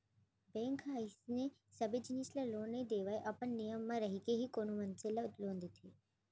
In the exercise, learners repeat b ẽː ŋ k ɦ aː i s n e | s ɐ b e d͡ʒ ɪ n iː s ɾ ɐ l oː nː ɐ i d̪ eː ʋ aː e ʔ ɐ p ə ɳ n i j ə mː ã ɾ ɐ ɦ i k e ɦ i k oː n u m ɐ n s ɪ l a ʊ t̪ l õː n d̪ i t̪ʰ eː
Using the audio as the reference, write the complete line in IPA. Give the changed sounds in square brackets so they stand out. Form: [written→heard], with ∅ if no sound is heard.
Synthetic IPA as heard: b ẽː ŋ k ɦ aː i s n e | s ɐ b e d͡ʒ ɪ n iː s [ɾ→l] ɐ l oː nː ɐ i d̪ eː ʋ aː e ʔ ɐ p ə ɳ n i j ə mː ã ɾ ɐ ɦ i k e ɦ i k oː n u m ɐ n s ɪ l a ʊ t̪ l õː n d̪ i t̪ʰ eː